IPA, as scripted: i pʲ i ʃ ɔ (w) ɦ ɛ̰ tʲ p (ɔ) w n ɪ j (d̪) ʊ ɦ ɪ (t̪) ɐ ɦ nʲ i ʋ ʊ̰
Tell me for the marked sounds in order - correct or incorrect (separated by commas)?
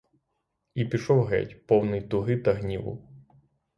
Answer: correct, correct, incorrect, correct